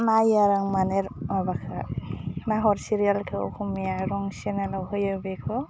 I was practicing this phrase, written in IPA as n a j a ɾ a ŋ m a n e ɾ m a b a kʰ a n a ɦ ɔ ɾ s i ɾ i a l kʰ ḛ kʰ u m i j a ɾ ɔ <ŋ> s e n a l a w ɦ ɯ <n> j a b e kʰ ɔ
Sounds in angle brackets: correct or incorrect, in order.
correct, incorrect: none

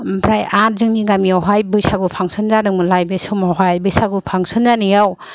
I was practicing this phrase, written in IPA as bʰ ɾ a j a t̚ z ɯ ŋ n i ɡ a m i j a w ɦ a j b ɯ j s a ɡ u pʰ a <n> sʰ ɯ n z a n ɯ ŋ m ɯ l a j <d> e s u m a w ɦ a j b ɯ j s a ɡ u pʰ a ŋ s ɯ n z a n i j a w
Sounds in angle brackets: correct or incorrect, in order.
incorrect: ŋ, incorrect: b

